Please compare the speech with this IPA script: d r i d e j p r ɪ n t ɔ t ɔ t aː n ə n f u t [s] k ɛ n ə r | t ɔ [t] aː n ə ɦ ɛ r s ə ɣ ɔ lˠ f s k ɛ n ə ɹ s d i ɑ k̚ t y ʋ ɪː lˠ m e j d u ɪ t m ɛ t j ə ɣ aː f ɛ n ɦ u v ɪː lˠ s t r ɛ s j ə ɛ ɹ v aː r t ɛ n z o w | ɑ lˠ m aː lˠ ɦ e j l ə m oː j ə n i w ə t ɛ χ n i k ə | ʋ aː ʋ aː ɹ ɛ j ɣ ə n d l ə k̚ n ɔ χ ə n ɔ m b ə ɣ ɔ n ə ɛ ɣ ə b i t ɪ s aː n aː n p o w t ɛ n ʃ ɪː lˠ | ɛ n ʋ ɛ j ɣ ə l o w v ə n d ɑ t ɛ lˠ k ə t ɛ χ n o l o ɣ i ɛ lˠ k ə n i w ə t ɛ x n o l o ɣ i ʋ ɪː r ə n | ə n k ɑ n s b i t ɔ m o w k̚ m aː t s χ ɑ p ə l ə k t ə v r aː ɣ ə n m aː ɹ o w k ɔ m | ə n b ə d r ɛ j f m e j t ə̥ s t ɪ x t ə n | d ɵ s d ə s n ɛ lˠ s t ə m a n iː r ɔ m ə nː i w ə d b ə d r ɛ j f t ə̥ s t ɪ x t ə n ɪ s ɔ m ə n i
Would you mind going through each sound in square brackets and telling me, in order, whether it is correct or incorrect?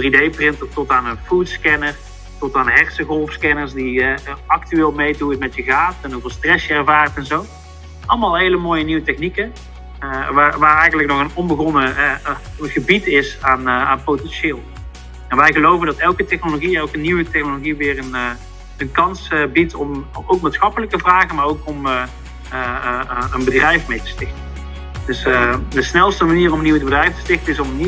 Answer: correct, correct

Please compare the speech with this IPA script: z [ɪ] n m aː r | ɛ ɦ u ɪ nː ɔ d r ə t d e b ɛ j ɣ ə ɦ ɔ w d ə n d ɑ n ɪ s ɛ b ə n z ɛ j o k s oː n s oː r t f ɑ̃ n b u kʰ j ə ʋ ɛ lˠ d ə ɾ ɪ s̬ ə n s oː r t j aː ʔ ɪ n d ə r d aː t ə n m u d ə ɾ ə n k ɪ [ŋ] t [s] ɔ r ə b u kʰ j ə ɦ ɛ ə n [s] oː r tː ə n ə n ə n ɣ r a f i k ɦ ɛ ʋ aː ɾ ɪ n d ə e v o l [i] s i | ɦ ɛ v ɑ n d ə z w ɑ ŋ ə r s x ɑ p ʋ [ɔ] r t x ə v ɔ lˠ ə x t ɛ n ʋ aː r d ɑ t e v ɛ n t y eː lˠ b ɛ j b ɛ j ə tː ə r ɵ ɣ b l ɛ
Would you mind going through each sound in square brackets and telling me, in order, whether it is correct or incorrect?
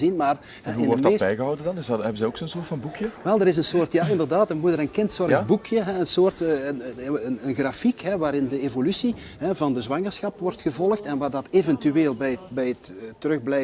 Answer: incorrect, incorrect, correct, correct, incorrect, correct

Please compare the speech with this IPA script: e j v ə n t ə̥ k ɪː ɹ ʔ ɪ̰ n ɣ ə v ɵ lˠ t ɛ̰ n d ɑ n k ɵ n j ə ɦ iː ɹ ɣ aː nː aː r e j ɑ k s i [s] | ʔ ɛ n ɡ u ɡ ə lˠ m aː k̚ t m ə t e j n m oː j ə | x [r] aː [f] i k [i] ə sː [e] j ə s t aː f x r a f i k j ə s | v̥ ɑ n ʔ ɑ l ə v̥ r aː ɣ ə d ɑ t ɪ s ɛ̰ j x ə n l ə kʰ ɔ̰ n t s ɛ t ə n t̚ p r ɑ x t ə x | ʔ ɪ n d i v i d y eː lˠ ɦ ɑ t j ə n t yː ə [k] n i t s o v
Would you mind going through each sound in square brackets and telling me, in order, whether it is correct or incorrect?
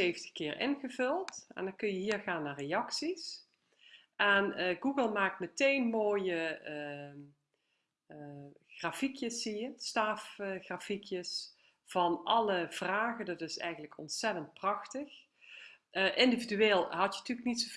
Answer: correct, correct, correct, incorrect, incorrect, correct

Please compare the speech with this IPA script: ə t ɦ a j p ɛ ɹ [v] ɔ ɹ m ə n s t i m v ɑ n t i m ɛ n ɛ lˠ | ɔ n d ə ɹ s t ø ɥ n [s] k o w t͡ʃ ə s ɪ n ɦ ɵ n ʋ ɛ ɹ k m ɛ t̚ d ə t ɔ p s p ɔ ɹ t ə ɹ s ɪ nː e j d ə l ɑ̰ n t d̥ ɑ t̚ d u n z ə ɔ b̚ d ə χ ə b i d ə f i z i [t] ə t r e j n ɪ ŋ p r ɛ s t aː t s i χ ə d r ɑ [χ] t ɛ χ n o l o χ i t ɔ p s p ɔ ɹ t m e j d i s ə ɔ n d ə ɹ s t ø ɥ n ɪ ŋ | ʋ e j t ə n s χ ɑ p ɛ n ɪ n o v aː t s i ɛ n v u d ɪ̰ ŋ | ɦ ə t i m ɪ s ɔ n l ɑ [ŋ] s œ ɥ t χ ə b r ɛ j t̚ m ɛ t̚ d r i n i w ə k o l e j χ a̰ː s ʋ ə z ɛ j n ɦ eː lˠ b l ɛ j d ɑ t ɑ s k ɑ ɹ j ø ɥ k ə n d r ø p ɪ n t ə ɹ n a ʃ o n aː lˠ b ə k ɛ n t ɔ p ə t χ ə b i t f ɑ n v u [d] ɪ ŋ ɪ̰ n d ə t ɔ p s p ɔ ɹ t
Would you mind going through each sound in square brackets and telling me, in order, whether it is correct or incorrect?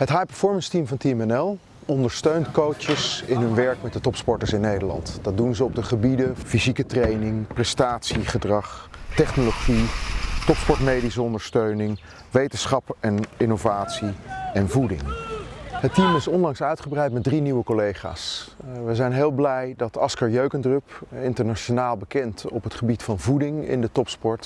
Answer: incorrect, incorrect, incorrect, correct, correct, correct

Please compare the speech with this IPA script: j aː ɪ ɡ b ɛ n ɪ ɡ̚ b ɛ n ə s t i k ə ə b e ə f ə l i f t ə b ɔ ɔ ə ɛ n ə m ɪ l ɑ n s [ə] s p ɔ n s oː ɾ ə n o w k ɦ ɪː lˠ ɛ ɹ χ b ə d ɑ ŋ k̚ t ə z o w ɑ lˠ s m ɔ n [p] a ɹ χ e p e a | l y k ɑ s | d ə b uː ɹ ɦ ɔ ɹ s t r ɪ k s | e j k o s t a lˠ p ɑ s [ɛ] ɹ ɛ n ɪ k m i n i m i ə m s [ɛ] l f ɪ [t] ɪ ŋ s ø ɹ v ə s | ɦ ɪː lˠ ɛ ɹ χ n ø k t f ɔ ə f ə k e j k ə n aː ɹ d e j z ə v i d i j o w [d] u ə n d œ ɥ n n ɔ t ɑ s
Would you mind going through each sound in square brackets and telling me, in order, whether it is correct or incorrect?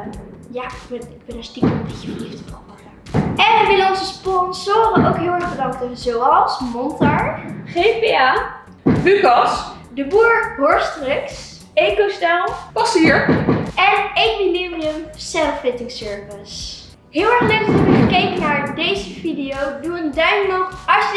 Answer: correct, incorrect, incorrect, correct, correct, correct

